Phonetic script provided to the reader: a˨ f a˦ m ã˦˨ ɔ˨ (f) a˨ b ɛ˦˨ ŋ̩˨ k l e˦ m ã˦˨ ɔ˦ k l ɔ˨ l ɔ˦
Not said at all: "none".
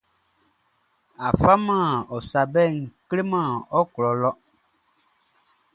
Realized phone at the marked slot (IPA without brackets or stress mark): s